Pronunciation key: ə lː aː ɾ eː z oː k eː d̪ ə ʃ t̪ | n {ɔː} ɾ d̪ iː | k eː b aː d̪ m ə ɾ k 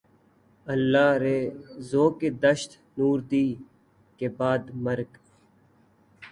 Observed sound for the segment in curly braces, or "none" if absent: uː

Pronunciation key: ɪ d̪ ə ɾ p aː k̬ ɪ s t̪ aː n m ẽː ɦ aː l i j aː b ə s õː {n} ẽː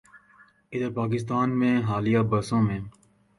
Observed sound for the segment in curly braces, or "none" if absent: m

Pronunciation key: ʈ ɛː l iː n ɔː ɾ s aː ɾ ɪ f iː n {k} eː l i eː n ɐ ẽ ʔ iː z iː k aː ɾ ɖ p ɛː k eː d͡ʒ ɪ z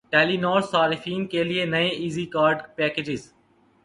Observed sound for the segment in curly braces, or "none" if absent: k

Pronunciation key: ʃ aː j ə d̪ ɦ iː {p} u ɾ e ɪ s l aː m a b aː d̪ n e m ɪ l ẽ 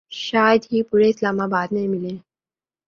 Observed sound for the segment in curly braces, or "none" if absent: p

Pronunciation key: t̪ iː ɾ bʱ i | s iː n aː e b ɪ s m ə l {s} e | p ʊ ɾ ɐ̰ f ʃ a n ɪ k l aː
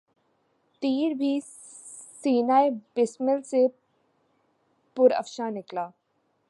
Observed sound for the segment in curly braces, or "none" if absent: s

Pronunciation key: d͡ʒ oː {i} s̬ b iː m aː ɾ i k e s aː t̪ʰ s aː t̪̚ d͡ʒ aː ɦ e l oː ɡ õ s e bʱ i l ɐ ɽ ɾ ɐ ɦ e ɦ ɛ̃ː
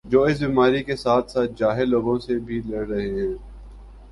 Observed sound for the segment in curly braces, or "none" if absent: ɪ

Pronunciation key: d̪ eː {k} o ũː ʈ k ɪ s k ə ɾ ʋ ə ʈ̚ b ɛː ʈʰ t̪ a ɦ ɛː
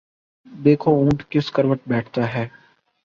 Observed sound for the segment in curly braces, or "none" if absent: kʰ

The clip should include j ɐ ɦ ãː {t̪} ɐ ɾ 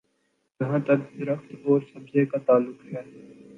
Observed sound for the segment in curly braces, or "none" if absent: t̪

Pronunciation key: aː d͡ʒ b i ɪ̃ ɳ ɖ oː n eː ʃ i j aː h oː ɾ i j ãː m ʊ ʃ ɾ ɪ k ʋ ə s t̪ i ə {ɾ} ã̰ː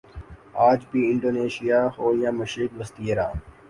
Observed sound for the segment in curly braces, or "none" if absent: ɾ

